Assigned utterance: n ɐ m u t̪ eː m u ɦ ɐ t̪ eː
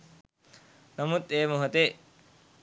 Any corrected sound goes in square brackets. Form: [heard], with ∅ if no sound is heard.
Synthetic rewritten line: n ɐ m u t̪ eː m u ɦ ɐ t̪ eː